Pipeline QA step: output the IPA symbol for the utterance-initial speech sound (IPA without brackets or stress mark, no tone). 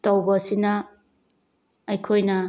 t